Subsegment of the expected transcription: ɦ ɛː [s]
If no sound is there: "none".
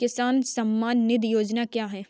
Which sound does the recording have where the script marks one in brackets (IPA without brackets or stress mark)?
none